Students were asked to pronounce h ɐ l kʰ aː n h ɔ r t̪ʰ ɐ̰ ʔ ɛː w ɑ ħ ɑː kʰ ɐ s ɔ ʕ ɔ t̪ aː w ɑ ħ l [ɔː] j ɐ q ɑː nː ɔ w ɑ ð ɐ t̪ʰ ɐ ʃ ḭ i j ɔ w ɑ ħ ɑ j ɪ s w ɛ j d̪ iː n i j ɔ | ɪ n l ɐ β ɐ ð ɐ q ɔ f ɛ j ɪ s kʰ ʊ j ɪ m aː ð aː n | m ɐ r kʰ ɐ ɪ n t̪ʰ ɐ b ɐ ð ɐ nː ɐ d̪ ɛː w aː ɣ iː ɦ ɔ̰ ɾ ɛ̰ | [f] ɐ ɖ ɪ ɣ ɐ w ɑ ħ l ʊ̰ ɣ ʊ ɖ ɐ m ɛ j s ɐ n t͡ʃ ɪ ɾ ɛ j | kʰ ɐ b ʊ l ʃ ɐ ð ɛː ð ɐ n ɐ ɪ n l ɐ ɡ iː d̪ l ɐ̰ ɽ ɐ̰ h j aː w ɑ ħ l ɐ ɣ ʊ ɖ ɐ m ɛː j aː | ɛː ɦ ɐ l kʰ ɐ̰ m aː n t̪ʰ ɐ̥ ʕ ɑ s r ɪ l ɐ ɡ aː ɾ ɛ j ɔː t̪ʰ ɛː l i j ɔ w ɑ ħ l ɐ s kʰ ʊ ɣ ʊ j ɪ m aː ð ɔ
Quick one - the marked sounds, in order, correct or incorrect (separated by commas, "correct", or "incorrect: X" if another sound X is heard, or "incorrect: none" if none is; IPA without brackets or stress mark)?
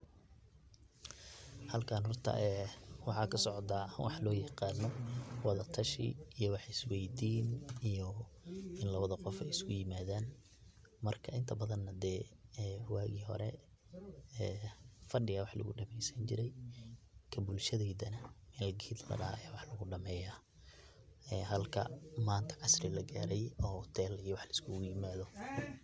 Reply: correct, correct